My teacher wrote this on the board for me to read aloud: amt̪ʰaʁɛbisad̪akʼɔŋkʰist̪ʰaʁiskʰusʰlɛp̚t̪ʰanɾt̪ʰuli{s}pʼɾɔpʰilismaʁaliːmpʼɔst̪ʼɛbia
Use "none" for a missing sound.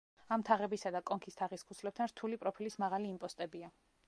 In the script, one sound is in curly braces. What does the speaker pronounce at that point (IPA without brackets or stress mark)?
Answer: none